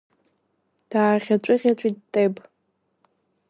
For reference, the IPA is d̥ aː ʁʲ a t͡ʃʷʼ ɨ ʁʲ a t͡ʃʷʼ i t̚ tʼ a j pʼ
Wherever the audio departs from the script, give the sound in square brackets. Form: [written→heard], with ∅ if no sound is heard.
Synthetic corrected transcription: d̥ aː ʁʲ a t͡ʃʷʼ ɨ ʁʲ a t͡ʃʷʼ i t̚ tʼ [a→e] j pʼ

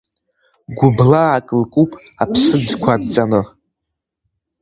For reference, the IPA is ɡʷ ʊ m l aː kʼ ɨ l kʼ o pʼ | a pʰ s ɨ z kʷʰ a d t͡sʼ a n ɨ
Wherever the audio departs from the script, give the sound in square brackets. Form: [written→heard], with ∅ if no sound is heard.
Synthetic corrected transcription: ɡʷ ʊ [m→b] l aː kʼ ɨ l kʼ [o→u] pʼ | a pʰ s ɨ [z→d͡z] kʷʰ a d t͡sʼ a n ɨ

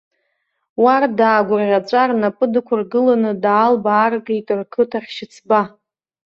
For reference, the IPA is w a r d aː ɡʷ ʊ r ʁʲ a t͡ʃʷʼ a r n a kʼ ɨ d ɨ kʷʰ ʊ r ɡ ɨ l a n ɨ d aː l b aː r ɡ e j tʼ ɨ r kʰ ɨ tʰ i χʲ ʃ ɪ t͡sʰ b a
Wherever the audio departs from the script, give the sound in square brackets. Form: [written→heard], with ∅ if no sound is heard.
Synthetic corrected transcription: w a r d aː ɡʷ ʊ r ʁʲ a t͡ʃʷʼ a r n a [kʼ→pʼ] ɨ d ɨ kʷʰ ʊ r ɡ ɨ l a n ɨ d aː l b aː r ɡ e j tʼ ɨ r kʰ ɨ tʰ [i→a] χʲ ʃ ɪ t͡sʰ b a

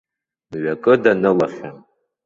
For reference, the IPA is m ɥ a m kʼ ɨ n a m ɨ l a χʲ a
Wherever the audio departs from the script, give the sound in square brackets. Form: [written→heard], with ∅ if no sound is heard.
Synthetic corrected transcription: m ɥ a [m→∅] kʼ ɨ [n→d] a [m→n] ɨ l a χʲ a

